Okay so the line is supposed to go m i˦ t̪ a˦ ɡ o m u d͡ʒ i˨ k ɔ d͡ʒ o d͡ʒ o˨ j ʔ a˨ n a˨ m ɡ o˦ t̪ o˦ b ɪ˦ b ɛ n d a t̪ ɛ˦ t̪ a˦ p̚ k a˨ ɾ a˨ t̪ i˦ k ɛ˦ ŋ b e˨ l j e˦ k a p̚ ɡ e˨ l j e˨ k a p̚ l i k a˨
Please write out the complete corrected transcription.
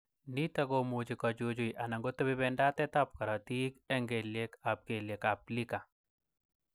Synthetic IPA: n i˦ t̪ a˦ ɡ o m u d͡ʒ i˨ k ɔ d͡ʒ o d͡ʒ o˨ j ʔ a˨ n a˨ ŋ ɡ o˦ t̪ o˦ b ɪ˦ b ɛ n d a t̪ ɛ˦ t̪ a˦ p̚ k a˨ ɾ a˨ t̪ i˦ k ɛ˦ ŋ ɡ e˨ l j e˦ k a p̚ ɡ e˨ l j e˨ k a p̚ l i k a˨